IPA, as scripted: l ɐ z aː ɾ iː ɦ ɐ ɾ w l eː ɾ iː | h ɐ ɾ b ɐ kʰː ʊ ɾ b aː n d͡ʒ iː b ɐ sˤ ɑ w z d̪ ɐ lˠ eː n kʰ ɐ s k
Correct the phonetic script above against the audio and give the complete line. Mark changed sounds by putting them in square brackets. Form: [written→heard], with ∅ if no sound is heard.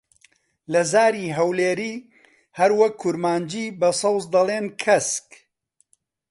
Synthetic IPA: l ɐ z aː ɾ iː ɦ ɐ [ɾ→∅] w l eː ɾ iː | h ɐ ɾ [b→w] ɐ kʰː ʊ ɾ [b→m] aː n d͡ʒ iː b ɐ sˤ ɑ w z d̪ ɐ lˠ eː n kʰ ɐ s k